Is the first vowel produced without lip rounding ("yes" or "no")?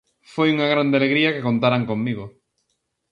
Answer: no